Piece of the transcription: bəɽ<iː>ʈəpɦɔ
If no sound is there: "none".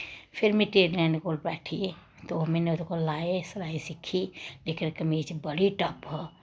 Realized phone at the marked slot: i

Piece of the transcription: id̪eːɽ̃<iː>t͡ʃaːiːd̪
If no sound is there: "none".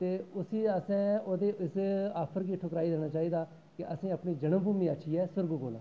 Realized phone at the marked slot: aː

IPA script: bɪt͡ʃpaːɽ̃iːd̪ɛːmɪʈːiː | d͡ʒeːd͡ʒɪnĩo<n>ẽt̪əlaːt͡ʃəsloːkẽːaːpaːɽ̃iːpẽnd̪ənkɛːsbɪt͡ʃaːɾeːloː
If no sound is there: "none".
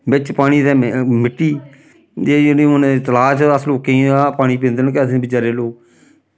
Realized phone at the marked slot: n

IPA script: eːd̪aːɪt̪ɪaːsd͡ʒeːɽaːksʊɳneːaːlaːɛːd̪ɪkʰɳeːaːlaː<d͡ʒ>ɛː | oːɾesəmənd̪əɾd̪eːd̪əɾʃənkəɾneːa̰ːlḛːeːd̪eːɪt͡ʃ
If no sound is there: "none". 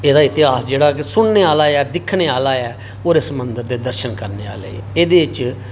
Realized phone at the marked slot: none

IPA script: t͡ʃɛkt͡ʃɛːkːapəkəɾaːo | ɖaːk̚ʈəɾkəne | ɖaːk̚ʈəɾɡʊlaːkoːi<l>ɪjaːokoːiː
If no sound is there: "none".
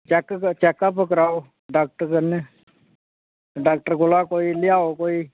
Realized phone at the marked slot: l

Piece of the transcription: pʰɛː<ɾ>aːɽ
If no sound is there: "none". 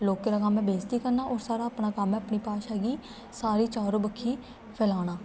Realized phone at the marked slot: l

